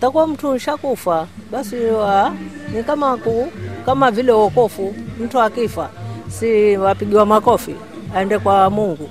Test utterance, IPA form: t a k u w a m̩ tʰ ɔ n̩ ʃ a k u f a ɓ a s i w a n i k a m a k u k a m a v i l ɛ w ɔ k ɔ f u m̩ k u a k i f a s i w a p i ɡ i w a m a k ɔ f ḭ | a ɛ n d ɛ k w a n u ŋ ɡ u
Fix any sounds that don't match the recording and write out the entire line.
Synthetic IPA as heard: t a k u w a m̩ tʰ u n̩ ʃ a k u f a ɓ a s i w a n i k a m a k u k a m a v i l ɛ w ɔ k ɔ f u m̩ t u a k i f a s i w a p i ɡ i w a m a k ɔ f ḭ | a ɛ n d ɛ k w a m u ŋ ɡ u